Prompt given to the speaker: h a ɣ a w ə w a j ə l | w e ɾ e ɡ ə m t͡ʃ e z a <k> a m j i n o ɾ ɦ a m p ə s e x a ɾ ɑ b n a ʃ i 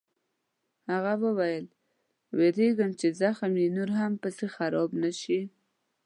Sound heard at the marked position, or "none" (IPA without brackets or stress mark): x